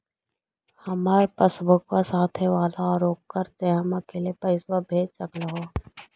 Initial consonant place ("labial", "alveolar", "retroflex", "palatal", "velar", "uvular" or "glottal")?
glottal